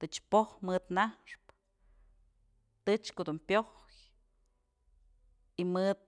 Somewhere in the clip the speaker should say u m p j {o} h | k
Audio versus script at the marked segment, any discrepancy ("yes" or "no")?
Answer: no